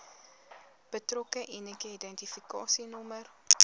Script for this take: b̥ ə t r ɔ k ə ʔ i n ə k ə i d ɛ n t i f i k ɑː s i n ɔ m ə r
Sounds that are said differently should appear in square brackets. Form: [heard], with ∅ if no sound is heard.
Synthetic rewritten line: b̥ ə t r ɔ k ə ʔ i n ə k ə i d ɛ n t i f i k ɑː s i n ɔ m ə r